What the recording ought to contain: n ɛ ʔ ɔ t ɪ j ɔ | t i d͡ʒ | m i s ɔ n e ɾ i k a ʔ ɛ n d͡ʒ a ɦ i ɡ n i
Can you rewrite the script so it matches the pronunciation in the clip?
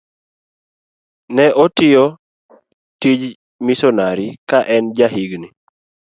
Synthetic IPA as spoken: n ɛ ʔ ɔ t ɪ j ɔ | t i d͡ʒ | m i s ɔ n a ɾ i k a ʔ ɛ n d͡ʒ a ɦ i ɡ n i